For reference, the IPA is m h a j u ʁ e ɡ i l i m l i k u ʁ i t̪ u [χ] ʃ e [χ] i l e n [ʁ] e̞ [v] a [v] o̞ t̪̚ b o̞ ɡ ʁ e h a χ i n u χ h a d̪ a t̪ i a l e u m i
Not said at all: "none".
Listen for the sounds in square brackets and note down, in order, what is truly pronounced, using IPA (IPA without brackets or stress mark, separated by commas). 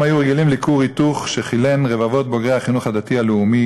χ, χ, ʁ, v, v